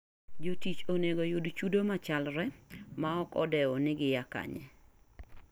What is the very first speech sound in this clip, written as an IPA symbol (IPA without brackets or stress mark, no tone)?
d͡ʒ